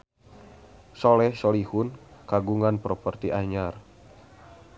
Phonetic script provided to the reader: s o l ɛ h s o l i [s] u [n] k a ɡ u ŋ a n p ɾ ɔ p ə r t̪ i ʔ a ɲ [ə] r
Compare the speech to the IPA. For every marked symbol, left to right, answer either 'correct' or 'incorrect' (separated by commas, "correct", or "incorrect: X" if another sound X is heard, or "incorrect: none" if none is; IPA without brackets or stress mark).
incorrect: h, correct, incorrect: a